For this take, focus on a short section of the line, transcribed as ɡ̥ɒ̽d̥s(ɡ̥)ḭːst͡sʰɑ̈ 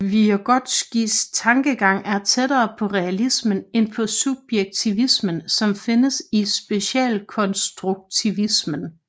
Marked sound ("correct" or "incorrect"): correct